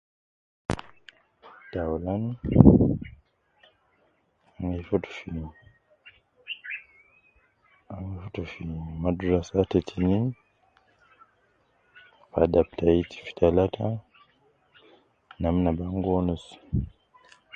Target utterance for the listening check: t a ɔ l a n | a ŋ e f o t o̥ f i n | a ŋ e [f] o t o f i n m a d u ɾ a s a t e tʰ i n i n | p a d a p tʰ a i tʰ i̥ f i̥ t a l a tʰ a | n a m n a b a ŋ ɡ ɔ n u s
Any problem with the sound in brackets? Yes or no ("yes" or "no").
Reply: no